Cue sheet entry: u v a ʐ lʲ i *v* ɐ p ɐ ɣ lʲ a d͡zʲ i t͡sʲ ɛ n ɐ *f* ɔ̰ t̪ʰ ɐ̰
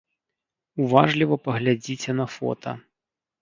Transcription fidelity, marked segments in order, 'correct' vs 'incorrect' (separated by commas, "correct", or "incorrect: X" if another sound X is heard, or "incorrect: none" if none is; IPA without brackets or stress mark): correct, correct